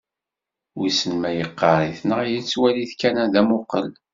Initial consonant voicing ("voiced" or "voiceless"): voiced